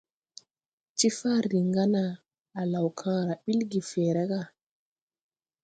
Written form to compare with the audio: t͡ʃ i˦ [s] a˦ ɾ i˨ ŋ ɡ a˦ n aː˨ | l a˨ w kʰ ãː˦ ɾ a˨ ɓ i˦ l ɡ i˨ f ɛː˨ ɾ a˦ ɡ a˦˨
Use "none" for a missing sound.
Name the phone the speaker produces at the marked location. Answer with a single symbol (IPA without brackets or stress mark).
f